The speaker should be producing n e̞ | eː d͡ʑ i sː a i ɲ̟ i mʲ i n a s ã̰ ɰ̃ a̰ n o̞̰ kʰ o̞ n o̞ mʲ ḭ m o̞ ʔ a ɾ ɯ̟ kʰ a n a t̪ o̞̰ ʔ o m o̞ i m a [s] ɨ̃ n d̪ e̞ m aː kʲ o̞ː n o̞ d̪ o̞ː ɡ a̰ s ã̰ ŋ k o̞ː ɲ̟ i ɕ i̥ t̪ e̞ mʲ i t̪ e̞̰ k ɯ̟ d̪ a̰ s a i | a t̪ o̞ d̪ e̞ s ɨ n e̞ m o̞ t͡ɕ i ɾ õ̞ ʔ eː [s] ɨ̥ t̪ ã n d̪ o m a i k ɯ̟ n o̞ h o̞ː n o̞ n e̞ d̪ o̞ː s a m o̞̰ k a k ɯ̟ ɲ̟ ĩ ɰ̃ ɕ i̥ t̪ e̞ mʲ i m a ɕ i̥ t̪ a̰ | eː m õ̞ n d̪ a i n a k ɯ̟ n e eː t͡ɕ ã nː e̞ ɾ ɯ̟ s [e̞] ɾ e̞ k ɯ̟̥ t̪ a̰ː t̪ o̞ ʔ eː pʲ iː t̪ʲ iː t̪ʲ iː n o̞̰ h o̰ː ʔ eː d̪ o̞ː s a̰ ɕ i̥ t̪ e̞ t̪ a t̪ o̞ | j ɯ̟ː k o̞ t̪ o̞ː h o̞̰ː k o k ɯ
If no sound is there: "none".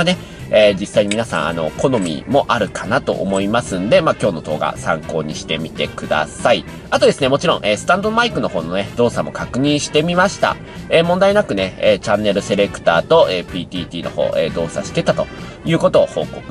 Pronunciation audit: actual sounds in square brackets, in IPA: s, s, e̞

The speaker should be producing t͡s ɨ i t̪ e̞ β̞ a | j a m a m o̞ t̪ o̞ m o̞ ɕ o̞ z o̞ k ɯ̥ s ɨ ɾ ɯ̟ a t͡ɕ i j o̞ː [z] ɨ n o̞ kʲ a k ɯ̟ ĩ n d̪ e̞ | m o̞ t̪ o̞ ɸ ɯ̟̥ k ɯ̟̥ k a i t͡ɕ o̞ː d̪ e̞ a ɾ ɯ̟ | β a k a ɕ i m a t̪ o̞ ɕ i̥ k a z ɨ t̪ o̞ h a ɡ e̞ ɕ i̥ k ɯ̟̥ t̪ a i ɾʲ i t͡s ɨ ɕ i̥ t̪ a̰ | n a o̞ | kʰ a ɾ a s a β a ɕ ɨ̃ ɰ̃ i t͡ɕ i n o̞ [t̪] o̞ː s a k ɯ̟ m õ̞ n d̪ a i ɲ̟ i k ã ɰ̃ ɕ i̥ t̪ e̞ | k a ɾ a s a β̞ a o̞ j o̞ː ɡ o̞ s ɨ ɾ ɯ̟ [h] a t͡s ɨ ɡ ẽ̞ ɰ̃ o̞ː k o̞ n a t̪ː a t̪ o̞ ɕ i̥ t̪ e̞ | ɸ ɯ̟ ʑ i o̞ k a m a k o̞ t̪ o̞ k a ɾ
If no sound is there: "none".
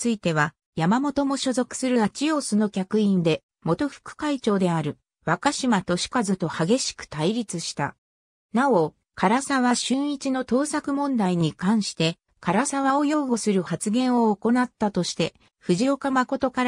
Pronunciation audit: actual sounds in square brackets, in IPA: s, t̪, h

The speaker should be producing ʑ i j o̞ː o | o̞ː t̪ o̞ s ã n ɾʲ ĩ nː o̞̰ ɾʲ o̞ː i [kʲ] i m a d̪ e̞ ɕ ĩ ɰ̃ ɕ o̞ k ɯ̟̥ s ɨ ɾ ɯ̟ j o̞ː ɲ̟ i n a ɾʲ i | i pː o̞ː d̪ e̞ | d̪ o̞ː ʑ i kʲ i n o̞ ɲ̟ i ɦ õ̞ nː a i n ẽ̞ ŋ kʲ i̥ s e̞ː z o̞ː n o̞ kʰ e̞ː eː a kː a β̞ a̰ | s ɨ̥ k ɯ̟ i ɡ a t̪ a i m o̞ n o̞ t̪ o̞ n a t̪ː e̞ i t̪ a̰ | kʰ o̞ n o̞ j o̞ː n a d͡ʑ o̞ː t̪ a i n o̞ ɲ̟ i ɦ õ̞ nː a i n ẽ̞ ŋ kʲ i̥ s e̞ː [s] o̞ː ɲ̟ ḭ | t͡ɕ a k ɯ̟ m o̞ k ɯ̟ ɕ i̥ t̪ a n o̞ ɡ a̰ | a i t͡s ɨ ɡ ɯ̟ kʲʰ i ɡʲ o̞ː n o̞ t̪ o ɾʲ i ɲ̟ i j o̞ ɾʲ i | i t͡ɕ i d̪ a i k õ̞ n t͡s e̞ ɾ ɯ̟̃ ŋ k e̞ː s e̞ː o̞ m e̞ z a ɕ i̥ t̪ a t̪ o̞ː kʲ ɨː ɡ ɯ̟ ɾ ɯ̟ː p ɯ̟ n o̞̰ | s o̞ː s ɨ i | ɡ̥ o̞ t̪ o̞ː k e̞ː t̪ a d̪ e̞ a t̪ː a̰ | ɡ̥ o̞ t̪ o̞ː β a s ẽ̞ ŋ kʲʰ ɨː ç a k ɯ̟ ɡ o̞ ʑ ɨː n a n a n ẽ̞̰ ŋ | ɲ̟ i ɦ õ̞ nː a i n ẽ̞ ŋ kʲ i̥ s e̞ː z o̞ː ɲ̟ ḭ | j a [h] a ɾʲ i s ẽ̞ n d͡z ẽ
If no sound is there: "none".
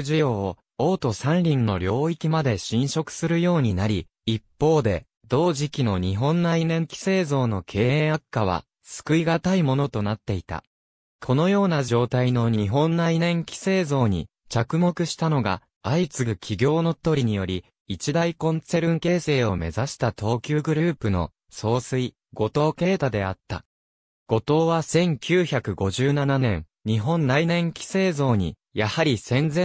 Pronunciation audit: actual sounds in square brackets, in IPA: kʲ, z, h

